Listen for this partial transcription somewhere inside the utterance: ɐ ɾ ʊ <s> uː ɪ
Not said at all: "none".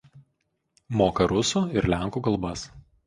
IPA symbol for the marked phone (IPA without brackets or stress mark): s